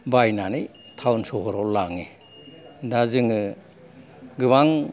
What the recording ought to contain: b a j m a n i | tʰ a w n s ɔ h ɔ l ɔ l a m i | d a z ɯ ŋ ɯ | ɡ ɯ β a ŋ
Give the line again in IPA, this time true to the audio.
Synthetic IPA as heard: b a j n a n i | tʰ a w n s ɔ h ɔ ɾ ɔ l a ŋ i | d a z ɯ ŋ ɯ | ɡ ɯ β a ŋ